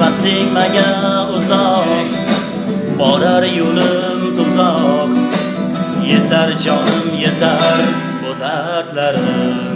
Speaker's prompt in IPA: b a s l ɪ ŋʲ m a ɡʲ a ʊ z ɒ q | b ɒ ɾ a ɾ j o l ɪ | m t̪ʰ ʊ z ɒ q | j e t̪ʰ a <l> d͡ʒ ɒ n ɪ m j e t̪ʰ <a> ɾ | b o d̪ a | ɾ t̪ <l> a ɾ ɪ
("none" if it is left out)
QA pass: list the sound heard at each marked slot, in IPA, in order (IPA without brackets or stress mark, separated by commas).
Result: ɾ, a, l